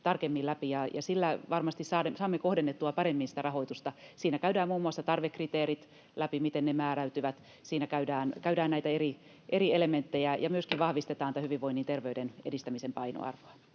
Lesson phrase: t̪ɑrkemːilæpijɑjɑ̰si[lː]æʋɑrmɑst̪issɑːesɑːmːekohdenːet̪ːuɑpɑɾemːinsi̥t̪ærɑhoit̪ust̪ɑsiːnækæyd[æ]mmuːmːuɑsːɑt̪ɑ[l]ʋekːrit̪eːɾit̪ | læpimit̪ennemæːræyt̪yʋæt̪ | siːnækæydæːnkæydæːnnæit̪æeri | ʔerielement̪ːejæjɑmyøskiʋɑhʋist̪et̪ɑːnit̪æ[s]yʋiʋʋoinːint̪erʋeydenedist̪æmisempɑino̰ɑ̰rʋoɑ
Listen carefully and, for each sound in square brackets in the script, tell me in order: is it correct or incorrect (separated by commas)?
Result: correct, incorrect, incorrect, incorrect